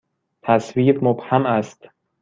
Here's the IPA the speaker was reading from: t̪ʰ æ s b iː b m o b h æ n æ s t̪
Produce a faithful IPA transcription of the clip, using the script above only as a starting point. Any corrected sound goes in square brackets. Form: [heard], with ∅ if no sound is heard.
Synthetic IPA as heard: t̪ʰ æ s [v] iː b m o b h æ [m] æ s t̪